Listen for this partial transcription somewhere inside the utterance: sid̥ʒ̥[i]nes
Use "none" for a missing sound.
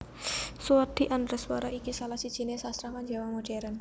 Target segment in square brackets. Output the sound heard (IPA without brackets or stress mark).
i